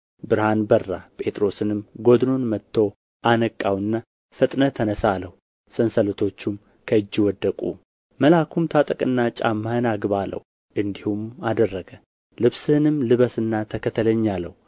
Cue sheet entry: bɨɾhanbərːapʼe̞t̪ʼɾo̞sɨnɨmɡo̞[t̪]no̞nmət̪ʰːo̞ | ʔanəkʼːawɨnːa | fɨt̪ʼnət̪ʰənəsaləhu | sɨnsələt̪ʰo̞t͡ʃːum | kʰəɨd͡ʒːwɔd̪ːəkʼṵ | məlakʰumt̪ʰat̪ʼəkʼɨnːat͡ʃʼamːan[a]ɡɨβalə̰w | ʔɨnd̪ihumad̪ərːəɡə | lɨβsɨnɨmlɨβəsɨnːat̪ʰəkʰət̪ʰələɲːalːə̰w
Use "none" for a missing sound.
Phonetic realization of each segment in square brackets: d̪, a

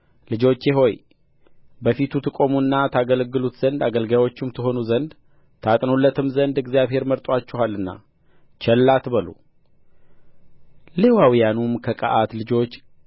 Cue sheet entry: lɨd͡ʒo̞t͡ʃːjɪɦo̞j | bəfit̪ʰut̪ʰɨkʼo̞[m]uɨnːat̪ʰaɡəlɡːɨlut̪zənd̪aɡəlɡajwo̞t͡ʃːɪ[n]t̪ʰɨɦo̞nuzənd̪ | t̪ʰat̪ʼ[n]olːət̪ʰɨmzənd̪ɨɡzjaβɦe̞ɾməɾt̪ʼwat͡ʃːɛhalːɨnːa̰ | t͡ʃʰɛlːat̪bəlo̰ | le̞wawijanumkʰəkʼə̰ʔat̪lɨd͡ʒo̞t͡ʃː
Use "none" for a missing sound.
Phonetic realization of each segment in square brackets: m, m, n

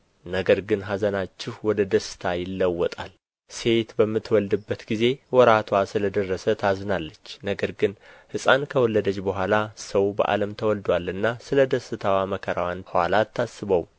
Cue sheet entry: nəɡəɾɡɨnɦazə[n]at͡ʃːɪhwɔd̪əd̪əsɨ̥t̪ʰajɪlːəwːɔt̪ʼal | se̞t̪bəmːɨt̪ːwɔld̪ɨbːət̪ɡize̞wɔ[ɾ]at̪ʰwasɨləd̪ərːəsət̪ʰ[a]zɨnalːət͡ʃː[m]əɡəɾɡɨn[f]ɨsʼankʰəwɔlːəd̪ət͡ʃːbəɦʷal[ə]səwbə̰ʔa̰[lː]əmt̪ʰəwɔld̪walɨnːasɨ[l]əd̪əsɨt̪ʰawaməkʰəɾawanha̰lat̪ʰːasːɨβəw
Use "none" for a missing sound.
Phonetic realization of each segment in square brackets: n, ɾ, a, n, h, a, l, l

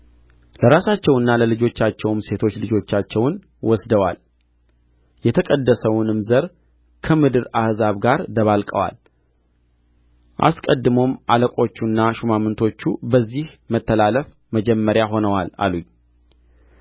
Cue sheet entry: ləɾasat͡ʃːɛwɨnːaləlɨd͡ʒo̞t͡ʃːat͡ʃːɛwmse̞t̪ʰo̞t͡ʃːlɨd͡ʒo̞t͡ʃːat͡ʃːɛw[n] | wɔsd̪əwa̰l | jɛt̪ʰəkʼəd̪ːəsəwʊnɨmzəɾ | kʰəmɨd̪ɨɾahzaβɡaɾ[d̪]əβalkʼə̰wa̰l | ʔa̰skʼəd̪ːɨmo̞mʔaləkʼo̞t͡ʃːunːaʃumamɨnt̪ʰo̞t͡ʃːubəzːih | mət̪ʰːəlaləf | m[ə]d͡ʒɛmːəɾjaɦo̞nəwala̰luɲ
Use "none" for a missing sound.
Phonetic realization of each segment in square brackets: n, d̪, ə

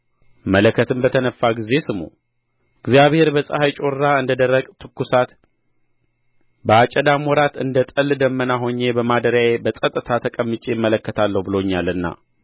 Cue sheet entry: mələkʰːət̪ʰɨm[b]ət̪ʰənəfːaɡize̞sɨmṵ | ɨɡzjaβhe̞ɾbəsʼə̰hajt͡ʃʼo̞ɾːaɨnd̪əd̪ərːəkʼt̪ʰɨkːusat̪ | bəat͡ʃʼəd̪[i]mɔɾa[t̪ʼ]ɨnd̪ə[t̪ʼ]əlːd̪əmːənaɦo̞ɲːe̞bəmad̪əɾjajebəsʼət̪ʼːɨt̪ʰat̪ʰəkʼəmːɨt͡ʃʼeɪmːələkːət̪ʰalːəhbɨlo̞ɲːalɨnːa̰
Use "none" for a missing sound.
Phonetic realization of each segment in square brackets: b, a, t̪, t̪ʼ

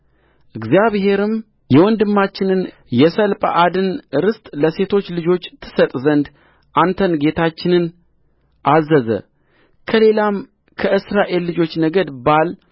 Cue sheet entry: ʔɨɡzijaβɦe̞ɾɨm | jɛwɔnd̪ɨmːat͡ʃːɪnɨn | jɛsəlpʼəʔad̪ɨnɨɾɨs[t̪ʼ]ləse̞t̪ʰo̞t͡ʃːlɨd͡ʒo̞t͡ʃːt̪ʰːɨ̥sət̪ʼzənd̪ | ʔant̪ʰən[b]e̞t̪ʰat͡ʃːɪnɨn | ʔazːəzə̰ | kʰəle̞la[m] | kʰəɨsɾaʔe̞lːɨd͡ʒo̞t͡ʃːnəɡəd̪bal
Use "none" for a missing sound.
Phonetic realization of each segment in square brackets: t̪ʼ, ɡ, m

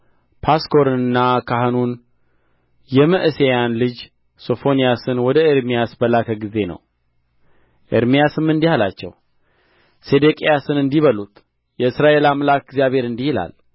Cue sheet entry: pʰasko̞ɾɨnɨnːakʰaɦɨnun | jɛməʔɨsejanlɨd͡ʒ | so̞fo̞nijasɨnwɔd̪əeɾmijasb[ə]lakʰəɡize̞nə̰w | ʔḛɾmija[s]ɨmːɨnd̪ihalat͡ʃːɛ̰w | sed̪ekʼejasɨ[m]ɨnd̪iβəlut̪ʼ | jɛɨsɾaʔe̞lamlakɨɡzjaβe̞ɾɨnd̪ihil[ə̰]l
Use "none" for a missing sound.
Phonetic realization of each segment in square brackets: ə, s, n, a̰

